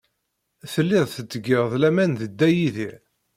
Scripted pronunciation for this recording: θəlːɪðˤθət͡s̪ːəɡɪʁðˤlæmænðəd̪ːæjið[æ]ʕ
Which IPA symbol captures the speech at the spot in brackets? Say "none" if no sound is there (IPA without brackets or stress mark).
i